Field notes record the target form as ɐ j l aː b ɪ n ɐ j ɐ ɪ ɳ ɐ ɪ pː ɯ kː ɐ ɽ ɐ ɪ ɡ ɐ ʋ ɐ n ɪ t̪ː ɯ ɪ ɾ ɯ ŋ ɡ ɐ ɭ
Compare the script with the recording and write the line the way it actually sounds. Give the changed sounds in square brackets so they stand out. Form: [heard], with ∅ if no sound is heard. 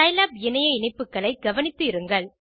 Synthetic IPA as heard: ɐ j l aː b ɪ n ɐ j ɐ ɪ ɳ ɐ ɪ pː ɯ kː ɐ [ɭ] ɐ ɪ ɡ ɐ ʋ ɐ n ɪ t̪ː ɯ ɪ ɾ ɯ ŋ ɡ ɐ ɭ